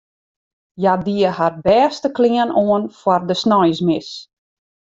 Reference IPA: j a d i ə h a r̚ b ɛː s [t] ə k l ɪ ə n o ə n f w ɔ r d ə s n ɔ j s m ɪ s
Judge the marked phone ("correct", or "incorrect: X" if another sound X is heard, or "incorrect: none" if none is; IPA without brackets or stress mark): correct